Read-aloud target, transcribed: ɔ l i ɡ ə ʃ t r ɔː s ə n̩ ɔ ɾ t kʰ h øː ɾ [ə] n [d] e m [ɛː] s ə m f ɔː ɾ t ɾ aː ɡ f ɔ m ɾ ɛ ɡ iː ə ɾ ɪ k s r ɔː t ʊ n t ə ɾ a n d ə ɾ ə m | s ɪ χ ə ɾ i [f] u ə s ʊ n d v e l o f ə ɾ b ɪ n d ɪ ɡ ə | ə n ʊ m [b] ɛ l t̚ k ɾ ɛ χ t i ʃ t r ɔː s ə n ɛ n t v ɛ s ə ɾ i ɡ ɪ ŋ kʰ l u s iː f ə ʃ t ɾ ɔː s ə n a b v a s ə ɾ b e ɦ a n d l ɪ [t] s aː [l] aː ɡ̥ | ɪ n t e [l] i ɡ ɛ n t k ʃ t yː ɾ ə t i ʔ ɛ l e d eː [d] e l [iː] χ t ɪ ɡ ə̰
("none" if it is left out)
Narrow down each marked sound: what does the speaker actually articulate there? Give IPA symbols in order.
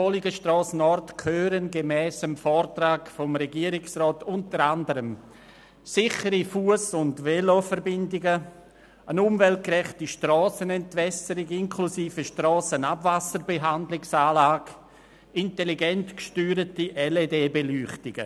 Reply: ə, ɡ, ɛː, f, v, k, l, l, b, yː

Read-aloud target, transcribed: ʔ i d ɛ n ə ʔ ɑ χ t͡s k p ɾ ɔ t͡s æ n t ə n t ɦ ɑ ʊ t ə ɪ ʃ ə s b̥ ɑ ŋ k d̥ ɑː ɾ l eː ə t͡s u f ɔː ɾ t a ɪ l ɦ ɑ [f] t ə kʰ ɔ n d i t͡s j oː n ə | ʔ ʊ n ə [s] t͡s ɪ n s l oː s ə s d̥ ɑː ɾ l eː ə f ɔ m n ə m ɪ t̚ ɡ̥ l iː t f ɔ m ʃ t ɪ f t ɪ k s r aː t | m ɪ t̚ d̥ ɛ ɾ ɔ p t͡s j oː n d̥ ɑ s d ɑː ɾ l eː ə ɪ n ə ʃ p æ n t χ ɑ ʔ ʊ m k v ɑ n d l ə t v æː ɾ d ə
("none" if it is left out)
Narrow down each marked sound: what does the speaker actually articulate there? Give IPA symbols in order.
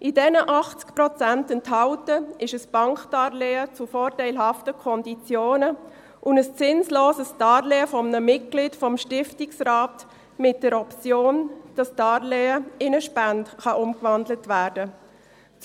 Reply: f, s

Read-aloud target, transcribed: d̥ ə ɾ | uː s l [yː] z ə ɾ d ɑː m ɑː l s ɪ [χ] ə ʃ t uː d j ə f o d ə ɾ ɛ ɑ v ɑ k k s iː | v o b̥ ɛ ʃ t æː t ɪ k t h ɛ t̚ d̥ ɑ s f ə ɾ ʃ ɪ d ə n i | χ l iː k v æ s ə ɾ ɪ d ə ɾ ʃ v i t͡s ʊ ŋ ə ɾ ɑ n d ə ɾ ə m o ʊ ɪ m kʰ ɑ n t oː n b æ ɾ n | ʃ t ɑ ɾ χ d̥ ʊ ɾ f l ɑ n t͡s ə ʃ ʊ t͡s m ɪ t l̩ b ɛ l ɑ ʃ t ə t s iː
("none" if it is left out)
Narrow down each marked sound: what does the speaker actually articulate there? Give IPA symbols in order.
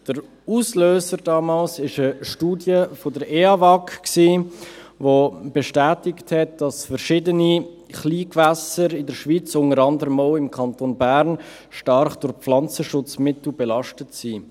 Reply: øː, ʃ

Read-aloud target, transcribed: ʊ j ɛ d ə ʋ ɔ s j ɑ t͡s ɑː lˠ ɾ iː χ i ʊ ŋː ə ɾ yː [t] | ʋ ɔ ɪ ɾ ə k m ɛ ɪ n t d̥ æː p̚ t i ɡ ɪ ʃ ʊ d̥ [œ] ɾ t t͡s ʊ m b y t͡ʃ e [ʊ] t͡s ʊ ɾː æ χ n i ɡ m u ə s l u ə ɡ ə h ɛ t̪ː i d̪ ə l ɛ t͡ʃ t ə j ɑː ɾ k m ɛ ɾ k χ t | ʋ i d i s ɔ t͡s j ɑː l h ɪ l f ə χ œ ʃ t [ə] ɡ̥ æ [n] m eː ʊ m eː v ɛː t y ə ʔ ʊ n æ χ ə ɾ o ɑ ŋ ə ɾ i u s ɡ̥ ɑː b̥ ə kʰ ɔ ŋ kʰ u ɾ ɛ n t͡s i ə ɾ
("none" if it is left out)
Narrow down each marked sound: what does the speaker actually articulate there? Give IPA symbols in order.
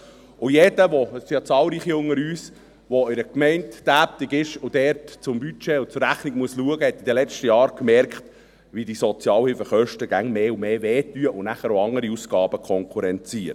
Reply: s, ɛ, ʊ, ə, ŋ

